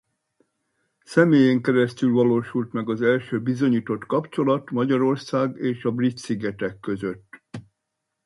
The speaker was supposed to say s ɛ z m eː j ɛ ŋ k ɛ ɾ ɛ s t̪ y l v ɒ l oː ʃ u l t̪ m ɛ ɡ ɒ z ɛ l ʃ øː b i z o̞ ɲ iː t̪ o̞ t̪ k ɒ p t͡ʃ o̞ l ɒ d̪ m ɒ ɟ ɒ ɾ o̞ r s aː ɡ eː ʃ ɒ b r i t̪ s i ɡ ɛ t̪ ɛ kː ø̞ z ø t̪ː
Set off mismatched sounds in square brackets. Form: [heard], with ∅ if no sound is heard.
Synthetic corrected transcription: s ɛ [∅] m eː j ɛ ŋ k ɛ ɾ ɛ s t̪ y l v ɒ l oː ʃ u l t̪ m ɛ ɡ ɒ z ɛ l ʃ øː b i z o̞ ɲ iː t̪ o̞ t̪ k ɒ p t͡ʃ o̞ l ɒ [t̪] m ɒ ɟ ɒ ɾ o̞ r s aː ɡ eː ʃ ɒ b r i t̪ s i ɡ ɛ t̪ ɛ kː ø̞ z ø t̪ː